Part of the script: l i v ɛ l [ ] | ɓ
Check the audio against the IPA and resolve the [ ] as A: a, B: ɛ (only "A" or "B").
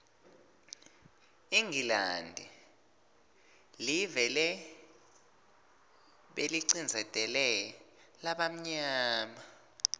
B